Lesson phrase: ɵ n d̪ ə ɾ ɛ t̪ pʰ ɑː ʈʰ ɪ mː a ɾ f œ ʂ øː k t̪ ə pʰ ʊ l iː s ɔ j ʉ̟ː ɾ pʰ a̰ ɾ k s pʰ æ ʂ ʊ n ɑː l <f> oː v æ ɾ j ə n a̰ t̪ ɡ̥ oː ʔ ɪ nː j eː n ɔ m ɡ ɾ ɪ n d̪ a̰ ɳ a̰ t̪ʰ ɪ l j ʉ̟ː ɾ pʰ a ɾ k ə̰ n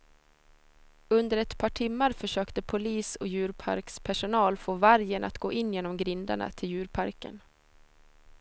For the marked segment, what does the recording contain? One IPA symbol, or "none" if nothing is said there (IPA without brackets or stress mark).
f